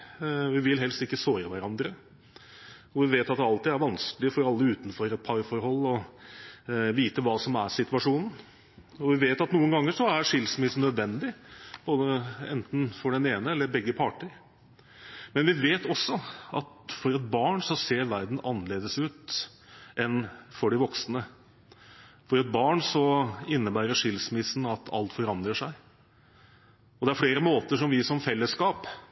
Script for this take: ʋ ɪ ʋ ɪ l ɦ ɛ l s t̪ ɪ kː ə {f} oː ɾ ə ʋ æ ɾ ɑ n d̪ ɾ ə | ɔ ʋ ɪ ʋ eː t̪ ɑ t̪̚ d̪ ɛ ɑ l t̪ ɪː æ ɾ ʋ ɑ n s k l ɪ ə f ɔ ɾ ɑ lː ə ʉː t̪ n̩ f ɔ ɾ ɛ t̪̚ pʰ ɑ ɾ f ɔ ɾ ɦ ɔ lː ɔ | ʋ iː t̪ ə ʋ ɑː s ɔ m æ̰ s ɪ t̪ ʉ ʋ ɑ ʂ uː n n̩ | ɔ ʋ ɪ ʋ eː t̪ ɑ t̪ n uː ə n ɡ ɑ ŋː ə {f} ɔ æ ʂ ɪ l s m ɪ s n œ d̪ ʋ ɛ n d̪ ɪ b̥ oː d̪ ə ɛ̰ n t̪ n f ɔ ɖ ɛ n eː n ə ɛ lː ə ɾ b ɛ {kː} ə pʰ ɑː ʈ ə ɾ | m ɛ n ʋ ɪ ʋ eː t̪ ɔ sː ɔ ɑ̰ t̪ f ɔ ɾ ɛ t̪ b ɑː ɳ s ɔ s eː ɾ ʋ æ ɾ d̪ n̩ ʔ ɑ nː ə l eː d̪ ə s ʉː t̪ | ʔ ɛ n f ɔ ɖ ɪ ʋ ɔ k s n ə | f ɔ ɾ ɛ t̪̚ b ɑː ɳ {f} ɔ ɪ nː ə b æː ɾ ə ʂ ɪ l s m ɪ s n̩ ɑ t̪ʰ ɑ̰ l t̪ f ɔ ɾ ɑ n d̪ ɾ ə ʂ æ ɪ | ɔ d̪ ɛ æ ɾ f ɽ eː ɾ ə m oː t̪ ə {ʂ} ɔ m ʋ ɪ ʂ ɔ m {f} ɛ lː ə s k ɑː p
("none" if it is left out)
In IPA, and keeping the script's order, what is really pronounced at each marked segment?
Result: s, ʂ, ɡː, s, ʂ, f

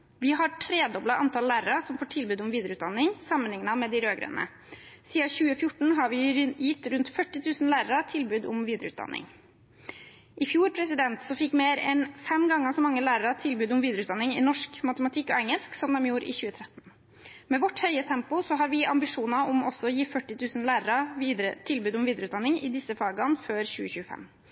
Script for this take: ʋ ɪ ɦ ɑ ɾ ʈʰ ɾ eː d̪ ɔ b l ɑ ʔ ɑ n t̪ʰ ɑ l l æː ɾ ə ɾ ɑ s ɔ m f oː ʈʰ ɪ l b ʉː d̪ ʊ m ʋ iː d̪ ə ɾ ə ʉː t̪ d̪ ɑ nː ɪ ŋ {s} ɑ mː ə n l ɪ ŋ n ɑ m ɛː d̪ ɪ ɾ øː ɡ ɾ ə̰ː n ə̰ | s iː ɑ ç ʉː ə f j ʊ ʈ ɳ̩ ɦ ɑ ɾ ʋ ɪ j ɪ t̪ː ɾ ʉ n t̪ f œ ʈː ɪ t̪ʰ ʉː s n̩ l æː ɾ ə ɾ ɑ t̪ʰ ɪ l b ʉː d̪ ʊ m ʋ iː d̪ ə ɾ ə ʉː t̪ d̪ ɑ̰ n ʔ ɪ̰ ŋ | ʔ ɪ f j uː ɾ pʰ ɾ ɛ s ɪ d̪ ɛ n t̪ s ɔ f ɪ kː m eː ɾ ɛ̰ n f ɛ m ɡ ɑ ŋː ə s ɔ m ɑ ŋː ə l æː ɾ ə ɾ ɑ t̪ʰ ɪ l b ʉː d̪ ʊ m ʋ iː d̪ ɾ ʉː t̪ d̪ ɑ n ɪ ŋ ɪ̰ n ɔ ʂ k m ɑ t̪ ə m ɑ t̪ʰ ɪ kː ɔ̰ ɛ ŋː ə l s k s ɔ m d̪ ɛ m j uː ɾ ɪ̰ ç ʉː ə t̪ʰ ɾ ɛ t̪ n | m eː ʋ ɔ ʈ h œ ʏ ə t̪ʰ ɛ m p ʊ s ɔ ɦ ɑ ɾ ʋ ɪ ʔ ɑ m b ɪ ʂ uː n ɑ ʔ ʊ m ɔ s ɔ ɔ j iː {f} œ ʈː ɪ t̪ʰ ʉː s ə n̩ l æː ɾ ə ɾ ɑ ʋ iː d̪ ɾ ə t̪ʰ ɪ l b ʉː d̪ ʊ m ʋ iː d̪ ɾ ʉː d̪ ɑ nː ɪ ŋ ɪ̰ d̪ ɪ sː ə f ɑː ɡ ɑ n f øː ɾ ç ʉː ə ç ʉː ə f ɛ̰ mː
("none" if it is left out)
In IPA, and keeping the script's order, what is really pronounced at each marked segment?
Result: s, f

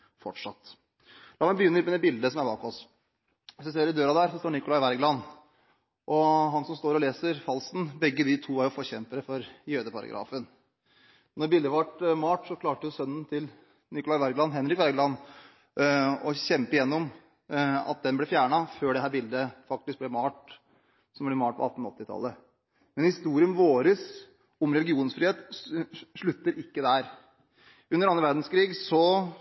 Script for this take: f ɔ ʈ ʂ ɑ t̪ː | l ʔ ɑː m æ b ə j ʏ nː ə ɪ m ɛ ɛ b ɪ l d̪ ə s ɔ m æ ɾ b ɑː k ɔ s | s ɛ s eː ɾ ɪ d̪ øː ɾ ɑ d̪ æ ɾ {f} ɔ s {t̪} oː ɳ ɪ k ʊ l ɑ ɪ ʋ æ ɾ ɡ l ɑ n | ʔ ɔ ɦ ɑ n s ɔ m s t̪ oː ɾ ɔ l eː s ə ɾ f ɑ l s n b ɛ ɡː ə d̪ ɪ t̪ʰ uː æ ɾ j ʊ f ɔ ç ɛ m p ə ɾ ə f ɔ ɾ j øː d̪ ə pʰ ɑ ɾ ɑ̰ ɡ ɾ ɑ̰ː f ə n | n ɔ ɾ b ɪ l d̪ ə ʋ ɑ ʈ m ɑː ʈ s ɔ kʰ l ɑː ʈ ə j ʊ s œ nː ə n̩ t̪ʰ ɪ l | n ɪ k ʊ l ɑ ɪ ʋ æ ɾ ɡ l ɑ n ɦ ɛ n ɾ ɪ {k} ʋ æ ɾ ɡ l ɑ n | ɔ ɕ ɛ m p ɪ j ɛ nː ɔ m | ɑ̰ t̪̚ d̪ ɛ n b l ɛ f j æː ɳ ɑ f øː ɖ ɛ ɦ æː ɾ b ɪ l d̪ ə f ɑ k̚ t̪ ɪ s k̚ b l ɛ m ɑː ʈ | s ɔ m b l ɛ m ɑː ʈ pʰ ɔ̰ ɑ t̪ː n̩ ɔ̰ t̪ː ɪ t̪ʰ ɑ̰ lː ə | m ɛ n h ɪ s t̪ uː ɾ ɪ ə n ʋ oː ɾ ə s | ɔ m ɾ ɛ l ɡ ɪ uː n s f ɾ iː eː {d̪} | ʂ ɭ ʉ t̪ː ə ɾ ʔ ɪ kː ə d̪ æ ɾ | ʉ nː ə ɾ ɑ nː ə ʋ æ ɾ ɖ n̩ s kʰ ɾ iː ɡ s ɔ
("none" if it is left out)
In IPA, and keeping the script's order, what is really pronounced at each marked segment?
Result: s, t̪, k, t̪

